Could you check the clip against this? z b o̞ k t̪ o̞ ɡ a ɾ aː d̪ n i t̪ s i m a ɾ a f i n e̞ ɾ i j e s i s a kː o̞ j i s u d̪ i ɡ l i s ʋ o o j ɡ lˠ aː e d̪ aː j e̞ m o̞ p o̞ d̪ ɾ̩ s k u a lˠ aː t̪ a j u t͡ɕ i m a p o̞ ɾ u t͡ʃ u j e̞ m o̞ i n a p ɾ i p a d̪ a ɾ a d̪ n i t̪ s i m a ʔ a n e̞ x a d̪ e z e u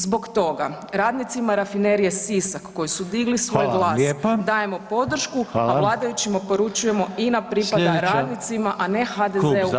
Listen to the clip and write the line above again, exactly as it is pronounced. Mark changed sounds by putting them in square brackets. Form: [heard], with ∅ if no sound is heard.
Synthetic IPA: z b o̞ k t̪ o̞ ɡ a ɾ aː d̪ n i t̪ s i m a ɾ a f i n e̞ ɾ i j e s i s a kː o̞ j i s u d̪ i ɡ l i s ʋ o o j ɡ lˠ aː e d̪ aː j e̞ m o̞ p o̞ d̪ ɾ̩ [ʃ] k u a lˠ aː [d̪] a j u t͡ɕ i m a p o̞ ɾ u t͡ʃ u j e̞ m o̞ i n a p ɾ i p a d̪ a ɾ a d̪ n i t̪ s i m a ʔ a n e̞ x a d̪ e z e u